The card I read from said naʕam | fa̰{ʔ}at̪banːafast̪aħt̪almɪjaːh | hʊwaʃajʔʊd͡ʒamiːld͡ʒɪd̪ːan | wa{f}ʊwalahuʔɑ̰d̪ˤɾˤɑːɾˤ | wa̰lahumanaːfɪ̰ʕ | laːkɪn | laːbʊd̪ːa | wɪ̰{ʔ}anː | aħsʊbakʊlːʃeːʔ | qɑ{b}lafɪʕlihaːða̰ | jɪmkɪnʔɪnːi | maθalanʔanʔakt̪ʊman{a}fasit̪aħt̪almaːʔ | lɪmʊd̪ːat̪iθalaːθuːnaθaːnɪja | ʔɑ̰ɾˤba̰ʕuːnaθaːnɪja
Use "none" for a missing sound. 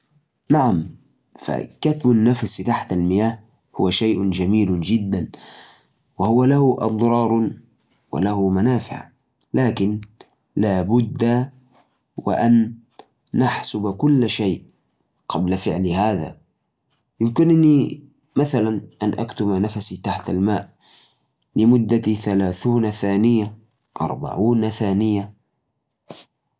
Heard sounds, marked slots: k, h, ʔ, b, a

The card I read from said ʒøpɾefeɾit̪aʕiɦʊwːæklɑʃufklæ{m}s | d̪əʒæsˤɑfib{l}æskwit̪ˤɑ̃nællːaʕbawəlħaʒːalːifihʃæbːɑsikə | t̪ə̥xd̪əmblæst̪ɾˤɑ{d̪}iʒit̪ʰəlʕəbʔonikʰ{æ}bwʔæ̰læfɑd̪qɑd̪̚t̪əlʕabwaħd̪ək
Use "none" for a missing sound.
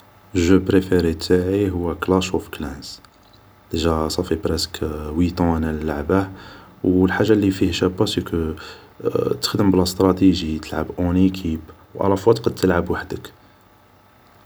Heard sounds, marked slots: n, ɾ, t̪, i

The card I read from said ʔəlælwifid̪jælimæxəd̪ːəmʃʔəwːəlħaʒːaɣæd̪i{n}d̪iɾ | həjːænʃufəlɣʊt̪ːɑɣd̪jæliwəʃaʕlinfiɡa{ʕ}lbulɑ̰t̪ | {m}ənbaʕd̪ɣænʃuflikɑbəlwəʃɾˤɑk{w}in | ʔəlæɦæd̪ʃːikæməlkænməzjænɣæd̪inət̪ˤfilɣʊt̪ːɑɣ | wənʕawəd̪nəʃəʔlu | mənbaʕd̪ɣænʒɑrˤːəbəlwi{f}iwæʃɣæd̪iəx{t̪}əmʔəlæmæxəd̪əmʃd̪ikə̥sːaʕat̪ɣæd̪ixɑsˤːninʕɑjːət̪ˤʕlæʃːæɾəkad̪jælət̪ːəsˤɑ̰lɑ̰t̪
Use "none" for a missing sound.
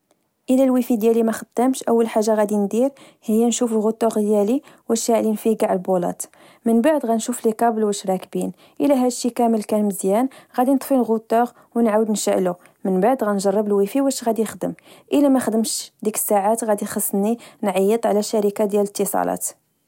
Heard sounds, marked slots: n, ʕ, m, b, f, d̪

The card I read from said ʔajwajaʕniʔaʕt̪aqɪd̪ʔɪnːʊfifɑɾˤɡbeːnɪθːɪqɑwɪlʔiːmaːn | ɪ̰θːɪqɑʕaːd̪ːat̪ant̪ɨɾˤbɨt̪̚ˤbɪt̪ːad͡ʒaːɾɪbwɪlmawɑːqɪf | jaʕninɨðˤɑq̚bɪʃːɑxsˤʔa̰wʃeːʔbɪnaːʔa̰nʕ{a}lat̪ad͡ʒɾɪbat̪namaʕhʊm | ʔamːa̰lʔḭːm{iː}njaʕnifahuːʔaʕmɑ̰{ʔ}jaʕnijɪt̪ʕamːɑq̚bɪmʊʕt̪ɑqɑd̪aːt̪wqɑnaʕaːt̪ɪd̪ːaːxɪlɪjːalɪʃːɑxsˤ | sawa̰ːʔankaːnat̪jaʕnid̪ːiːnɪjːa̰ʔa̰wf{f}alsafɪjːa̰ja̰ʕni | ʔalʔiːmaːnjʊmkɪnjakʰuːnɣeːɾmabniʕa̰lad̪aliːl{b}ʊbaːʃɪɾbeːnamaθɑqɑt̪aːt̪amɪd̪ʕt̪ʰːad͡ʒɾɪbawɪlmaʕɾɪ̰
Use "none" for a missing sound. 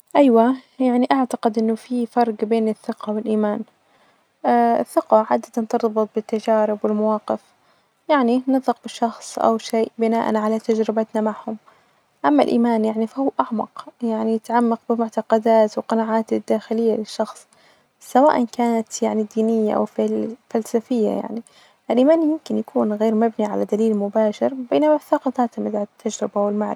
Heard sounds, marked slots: a, aː, q, f, m

